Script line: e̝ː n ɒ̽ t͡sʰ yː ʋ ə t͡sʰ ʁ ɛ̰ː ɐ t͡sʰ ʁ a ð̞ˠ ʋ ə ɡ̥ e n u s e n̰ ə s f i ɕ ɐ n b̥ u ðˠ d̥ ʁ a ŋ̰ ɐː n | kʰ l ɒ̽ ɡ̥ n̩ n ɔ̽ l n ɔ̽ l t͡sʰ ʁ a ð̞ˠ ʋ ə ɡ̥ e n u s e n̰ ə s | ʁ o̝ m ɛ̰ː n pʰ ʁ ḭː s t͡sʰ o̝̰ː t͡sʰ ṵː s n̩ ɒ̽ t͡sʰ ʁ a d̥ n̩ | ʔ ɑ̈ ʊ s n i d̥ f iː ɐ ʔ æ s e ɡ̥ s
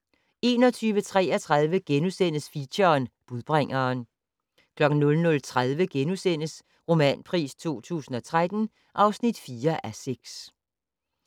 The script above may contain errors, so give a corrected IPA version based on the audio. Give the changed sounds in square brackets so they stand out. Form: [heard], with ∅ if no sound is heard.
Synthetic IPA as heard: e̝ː n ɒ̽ t͡sʰ yː ʋ ə t͡sʰ ʁ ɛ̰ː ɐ t͡sʰ ʁ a ð̞ˠ ʋ ə ɡ̥ e n u s e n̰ ə s f i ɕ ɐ n b̥ u ðˠ [b̥] ʁ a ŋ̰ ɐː n | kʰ l ɒ̽ ɡ̥ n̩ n ɔ̽ l n ɔ̽ l t͡sʰ ʁ a ð̞ˠ ʋ ə ɡ̥ e n u s e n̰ ə s | ʁ o̝ m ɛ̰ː n pʰ ʁ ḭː s t͡sʰ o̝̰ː t͡sʰ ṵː s n̩ ɒ̽ t͡sʰ ʁ a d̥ n̩ | ʔ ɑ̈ ʊ s n i d̥ f iː ɐ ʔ æ s e ɡ̥ s